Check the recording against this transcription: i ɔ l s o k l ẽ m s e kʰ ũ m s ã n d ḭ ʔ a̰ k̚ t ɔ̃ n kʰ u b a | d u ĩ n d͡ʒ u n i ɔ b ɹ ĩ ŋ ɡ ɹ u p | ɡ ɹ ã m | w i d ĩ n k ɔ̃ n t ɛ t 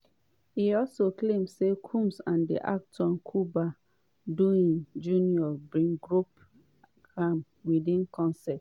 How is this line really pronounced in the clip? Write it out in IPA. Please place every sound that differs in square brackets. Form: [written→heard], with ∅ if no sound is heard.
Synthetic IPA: i ɔ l s o k l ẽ m s e kʰ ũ m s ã n d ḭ ʔ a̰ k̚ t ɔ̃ n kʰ u b a | d u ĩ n d͡ʒ u n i ɔ b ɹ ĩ ŋ ɡ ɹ u p | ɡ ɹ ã m | w i d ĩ n k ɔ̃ n [t→s] ɛ t